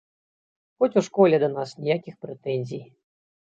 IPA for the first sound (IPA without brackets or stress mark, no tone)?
x